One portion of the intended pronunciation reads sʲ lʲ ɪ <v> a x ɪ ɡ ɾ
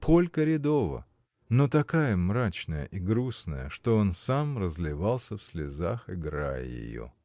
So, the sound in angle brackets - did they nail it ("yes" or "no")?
no